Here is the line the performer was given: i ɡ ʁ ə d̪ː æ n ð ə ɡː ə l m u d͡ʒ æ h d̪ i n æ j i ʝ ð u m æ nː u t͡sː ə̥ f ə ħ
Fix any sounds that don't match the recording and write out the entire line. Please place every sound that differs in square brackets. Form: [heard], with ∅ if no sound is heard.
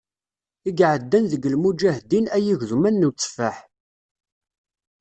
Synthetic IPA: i ɡ [ʕ] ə d̪ː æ n ð ə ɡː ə l m u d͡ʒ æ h d̪ i n æ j i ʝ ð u m æ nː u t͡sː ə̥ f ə ħ